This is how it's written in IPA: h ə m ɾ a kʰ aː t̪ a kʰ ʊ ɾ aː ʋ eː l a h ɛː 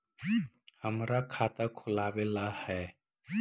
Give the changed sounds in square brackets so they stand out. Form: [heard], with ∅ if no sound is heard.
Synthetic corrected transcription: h ə m ɾ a kʰ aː t̪ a kʰ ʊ [l] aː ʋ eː l a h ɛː